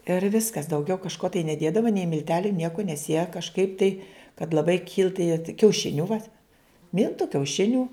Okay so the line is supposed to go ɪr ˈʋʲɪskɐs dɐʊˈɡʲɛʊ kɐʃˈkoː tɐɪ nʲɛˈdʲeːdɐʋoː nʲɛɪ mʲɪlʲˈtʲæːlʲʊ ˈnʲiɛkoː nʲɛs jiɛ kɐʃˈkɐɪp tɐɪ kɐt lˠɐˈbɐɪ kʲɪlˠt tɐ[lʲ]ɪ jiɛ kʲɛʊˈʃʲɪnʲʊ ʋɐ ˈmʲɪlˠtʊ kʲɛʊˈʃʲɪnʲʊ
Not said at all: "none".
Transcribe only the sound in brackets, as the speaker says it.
none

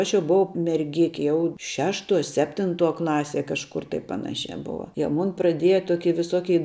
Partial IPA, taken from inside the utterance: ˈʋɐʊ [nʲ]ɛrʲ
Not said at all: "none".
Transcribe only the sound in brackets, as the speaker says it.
mʲ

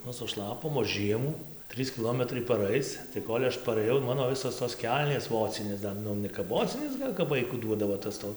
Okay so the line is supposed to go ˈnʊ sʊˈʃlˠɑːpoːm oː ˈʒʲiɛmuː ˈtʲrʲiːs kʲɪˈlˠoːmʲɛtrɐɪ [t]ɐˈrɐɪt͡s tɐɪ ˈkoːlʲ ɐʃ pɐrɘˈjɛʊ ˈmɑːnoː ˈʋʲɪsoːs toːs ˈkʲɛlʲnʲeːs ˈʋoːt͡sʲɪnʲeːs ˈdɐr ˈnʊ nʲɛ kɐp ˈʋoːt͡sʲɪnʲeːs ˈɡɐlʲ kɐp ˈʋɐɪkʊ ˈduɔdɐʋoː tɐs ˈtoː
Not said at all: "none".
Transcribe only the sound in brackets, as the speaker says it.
p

